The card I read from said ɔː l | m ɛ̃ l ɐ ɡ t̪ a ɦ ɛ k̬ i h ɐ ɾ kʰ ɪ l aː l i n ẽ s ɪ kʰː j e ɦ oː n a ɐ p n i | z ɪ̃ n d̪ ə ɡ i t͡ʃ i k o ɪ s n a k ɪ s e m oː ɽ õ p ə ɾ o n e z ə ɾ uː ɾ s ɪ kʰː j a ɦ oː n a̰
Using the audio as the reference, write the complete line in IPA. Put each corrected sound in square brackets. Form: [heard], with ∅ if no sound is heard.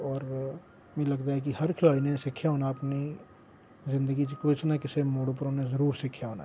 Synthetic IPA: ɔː [ɾ] | m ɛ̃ l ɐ ɡ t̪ a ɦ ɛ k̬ i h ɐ ɾ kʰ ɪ l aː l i n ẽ s ɪ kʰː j [a] ɦ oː n a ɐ p n i | z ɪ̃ n d̪ ə ɡ i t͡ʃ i k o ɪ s n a k ɪ s e m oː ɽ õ p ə ɾ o n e z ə ɾ uː ɾ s ɪ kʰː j a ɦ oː n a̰